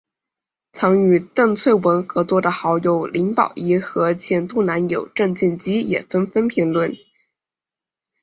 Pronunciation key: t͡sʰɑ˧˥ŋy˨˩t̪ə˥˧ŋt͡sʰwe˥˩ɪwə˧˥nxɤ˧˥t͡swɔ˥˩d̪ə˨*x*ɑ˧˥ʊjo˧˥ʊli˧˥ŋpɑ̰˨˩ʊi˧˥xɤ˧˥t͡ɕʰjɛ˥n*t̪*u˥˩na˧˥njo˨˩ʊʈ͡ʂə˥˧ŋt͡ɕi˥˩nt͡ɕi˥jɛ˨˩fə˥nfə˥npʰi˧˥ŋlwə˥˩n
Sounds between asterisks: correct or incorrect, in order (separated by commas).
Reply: correct, correct